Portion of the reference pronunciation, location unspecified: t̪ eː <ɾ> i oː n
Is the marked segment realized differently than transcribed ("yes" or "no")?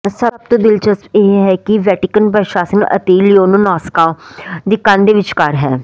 yes